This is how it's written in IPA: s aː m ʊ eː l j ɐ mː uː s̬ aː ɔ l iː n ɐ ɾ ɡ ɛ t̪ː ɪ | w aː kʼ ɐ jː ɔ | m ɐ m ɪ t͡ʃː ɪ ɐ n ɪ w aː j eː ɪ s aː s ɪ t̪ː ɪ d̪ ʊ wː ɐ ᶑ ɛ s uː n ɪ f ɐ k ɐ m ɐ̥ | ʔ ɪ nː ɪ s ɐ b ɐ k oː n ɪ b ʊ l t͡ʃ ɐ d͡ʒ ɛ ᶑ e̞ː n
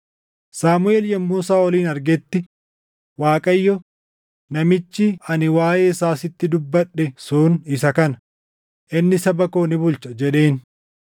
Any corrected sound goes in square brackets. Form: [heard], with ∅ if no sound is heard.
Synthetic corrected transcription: s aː m ʊ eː l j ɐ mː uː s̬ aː ɔ l iː n ɐ ɾ ɡ ɛ t̪ː ɪ | w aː kʼ ɐ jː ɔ | [n] ɐ m ɪ t͡ʃː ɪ ɐ n ɪ w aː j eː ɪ s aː s ɪ t̪ː ɪ d̪ ʊ [bː] ɐ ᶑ ɛ s uː n ɪ [s] ɐ k ɐ [n] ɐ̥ | ʔ ɪ nː ɪ s ɐ b ɐ k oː n ɪ b ʊ l t͡ʃ ɐ d͡ʒ ɛ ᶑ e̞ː n